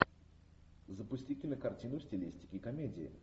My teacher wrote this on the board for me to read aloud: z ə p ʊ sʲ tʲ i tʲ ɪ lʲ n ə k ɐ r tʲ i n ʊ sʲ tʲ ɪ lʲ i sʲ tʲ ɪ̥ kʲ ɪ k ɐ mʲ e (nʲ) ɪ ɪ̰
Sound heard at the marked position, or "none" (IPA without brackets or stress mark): dʲ